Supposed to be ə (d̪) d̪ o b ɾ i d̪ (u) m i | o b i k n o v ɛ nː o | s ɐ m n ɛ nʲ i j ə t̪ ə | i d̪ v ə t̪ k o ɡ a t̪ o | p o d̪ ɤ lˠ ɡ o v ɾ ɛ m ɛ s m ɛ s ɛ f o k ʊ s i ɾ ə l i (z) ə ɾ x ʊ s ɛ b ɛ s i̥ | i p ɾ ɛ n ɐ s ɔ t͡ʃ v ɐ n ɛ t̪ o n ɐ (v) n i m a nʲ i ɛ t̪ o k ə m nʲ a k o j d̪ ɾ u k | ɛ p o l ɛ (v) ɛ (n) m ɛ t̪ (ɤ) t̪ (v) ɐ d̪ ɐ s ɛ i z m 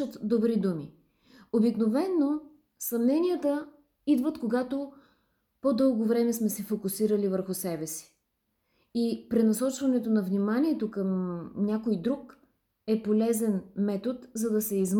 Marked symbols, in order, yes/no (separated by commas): no, yes, no, yes, no, yes, no, no